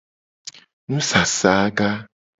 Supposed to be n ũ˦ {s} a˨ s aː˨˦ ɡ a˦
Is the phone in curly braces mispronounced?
no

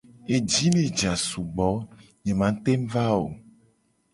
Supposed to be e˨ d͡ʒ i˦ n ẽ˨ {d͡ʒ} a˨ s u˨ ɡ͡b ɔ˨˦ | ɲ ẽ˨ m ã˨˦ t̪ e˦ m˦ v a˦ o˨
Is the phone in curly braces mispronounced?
no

